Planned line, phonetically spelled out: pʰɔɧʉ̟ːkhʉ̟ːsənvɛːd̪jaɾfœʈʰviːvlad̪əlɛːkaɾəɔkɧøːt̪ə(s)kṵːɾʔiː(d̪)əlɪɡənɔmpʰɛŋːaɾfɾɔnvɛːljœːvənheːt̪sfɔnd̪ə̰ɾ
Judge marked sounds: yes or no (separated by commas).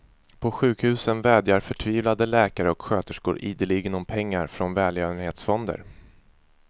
no, yes